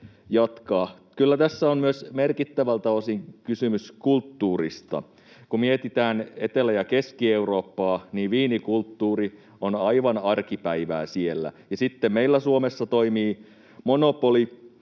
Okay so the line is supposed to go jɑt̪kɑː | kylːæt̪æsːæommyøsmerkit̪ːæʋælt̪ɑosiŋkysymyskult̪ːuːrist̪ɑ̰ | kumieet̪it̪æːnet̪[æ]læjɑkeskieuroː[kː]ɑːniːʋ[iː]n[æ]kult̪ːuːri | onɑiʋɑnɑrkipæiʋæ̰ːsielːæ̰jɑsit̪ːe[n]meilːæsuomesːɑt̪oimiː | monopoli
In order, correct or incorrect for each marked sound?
incorrect: e, incorrect: pː, correct, incorrect: i, incorrect: m

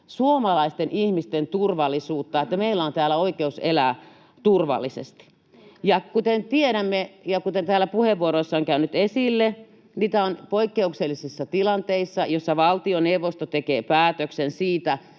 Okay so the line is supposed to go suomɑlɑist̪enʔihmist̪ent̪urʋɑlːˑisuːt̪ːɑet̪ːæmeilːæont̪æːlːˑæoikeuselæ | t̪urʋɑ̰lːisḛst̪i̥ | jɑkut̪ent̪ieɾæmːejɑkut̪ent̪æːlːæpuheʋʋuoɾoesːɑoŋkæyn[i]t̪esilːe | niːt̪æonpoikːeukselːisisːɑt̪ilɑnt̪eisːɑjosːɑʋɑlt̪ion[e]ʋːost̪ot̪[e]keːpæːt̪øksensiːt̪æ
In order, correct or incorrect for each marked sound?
incorrect: y, correct, correct

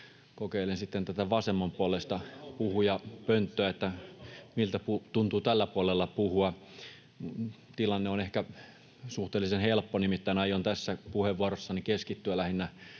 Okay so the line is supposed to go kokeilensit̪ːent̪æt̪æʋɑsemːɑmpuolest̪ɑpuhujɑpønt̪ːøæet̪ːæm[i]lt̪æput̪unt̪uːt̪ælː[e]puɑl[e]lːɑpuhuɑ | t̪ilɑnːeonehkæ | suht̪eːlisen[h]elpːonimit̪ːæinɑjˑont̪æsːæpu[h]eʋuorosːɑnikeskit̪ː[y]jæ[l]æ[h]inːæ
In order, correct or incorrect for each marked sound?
correct, incorrect: æ, correct, correct, correct, correct, correct, correct

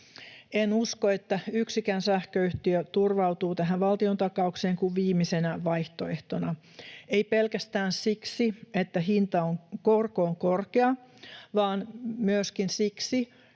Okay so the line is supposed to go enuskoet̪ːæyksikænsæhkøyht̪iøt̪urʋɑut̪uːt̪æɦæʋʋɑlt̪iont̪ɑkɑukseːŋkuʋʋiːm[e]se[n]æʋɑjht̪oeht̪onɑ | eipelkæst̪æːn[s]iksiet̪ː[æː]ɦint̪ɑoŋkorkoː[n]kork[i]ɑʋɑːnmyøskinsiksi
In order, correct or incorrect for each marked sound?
incorrect: i, correct, correct, incorrect: æ, incorrect: ŋ, incorrect: e

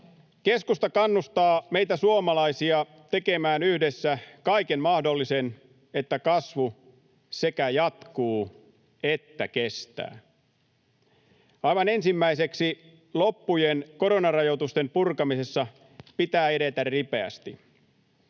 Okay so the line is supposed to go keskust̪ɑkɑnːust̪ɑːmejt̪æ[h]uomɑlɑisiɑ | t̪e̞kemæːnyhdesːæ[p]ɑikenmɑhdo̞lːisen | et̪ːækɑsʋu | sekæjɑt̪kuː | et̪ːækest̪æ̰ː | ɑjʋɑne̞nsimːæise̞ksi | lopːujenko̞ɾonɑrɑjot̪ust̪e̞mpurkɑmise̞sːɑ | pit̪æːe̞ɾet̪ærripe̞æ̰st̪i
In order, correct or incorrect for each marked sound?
incorrect: s, incorrect: k

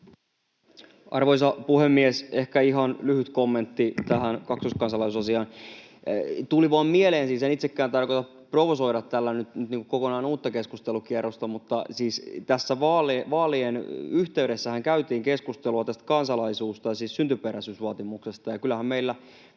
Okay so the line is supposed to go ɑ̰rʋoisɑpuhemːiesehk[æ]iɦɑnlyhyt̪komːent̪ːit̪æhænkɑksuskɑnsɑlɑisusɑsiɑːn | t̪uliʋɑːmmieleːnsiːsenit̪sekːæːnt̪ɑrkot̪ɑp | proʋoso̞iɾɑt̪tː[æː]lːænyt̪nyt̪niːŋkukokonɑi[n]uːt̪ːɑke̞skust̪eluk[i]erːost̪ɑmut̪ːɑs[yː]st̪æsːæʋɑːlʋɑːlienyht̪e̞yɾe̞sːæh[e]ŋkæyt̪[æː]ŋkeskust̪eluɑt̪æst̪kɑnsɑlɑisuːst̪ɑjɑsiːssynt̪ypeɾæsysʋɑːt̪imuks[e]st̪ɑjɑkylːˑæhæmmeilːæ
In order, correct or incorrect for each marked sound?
correct, incorrect: æ, correct, correct, incorrect: iː, incorrect: æ, incorrect: iː, correct

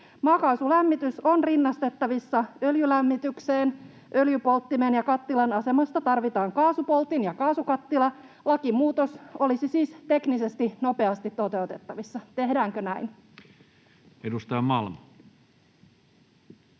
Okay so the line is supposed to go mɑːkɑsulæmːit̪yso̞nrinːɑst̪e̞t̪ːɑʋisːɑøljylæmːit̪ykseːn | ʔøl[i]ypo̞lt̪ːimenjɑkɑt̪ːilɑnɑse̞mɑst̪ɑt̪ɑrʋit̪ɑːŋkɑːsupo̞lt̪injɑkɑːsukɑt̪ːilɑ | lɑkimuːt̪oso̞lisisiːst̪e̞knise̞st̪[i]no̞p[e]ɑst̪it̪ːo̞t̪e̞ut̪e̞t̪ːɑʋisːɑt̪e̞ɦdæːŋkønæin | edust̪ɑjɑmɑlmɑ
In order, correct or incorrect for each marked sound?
incorrect: j, correct, correct

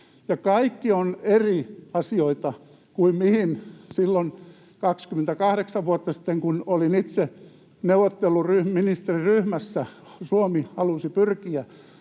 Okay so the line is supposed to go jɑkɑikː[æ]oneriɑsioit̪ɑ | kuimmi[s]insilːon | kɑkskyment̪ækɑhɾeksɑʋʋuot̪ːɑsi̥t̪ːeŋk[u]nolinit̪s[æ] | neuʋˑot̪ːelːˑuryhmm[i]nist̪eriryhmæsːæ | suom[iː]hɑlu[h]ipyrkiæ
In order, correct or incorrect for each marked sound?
incorrect: i, incorrect: h, correct, incorrect: e, correct, incorrect: i, incorrect: s

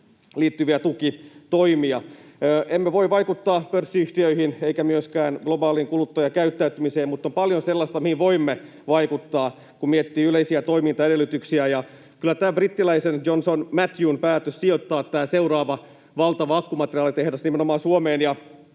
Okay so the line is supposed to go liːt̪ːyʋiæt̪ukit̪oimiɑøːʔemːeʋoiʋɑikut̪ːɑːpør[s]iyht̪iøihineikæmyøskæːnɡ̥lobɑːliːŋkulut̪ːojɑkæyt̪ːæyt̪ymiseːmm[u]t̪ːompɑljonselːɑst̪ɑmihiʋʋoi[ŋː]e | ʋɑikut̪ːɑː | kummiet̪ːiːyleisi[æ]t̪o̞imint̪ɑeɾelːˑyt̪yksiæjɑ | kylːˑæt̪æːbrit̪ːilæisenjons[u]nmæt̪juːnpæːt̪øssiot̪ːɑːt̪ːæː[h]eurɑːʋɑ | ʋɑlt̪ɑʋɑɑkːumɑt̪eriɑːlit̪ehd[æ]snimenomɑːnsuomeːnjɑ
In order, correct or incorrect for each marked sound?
incorrect: sː, correct, incorrect: mː, correct, incorrect: o, incorrect: s, correct

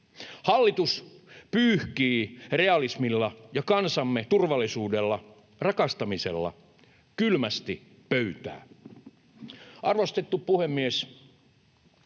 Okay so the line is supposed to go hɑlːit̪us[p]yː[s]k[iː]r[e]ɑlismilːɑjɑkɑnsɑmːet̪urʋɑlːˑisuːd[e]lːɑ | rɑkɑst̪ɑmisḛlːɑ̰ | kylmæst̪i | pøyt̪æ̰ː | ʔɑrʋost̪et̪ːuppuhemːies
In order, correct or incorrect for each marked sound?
correct, incorrect: h, correct, correct, correct

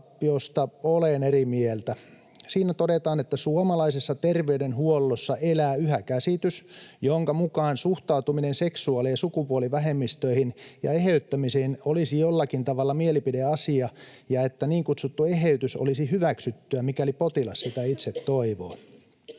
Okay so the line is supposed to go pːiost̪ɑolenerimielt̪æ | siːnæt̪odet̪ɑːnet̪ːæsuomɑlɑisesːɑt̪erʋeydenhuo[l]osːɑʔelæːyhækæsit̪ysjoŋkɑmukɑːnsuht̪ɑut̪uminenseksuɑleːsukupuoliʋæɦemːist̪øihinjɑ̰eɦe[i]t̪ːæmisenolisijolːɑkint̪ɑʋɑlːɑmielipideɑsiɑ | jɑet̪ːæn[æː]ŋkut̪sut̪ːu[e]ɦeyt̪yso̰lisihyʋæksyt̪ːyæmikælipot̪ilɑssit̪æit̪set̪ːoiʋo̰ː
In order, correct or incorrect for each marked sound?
incorrect: lː, incorrect: y, incorrect: iː, correct

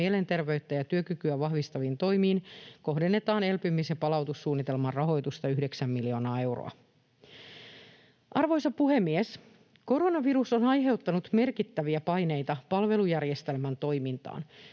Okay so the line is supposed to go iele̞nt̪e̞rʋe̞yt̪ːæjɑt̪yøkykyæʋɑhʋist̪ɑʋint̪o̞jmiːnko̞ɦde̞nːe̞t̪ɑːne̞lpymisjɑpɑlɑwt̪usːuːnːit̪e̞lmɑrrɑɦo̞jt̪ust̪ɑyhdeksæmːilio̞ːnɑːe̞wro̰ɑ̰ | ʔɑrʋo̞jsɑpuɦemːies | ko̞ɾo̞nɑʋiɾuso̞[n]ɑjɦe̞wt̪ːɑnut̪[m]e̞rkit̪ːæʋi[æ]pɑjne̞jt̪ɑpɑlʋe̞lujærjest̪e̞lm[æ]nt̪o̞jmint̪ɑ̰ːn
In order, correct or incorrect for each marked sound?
correct, correct, correct, correct

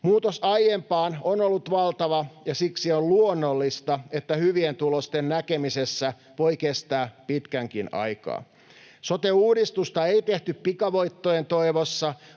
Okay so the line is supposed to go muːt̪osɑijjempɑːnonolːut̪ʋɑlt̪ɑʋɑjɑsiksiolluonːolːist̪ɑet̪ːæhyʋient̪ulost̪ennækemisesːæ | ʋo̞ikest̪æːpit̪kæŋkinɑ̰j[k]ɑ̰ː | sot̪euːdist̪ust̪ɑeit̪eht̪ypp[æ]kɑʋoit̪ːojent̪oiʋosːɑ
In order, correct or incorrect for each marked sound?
correct, incorrect: i

